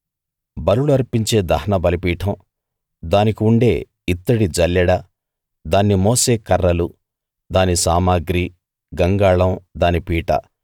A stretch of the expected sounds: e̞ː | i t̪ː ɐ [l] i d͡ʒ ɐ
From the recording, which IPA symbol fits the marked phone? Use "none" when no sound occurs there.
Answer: ɽ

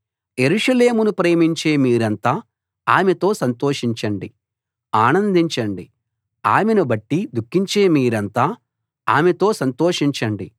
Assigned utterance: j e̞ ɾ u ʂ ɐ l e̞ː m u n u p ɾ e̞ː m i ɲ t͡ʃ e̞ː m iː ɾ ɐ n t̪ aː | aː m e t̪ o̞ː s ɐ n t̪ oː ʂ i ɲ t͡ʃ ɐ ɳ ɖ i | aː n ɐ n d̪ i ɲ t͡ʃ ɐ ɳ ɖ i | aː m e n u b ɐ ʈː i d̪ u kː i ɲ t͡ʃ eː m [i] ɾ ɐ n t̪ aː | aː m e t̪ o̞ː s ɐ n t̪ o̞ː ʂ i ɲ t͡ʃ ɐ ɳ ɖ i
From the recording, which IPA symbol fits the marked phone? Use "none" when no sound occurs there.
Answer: iː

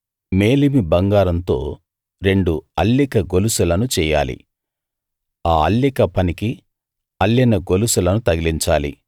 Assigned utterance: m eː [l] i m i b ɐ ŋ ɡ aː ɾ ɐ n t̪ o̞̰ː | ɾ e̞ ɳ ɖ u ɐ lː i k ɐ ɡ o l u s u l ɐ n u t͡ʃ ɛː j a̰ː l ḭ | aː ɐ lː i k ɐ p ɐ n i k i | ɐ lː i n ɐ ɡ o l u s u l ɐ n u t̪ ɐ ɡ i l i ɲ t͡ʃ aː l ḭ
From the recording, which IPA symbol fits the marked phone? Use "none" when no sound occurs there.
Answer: l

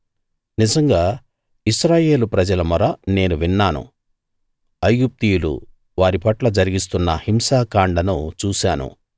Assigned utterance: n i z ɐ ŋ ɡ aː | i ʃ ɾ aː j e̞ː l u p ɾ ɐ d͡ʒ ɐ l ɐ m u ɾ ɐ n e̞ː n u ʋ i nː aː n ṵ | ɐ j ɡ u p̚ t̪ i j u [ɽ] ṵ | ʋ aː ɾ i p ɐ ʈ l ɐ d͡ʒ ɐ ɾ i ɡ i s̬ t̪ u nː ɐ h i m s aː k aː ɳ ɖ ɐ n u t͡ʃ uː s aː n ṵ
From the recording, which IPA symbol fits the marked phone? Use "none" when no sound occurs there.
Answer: l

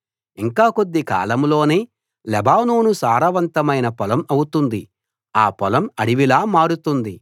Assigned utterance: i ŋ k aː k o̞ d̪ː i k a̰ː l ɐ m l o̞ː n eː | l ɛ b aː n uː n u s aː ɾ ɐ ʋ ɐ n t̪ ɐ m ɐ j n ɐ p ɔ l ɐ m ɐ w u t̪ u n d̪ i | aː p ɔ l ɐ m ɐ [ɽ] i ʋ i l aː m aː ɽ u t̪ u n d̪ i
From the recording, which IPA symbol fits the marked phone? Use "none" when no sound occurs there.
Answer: ɽ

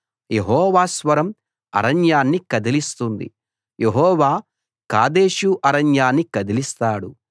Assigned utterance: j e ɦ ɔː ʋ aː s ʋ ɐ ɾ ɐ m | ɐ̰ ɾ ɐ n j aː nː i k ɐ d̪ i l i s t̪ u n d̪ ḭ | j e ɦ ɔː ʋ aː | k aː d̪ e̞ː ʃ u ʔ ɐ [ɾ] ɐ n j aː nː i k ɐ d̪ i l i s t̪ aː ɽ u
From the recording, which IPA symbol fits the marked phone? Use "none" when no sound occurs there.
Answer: ɾ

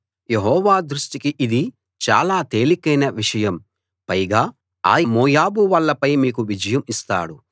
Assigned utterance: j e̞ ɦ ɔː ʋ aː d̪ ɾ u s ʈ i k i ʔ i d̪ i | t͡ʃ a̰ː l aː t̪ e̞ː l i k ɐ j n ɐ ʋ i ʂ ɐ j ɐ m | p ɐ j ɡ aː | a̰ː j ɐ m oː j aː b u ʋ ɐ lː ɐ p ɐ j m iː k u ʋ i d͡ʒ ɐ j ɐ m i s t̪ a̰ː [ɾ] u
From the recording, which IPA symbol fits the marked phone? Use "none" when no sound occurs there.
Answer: ɽ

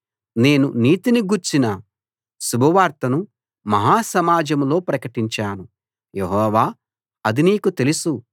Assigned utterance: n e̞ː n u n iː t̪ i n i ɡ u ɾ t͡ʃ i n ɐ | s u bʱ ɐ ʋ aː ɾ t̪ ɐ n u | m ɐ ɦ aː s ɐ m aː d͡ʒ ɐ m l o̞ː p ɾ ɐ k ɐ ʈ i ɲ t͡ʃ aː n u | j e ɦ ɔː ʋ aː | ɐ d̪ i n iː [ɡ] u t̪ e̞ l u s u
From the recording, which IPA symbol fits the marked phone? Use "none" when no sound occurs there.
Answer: k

